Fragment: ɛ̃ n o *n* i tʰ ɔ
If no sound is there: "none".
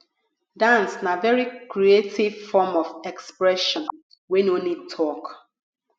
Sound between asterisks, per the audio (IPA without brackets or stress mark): n